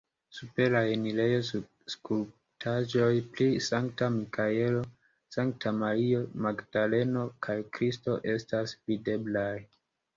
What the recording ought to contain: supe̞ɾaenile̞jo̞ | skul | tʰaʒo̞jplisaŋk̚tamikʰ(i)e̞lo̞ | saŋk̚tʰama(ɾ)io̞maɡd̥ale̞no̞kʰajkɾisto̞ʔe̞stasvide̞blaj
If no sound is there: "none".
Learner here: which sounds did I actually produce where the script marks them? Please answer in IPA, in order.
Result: a, ɾ

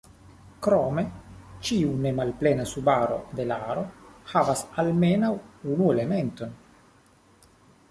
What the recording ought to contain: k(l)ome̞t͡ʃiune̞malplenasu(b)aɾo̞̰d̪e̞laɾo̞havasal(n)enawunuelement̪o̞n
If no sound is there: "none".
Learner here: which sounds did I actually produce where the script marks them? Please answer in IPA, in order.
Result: ɾ, b, m

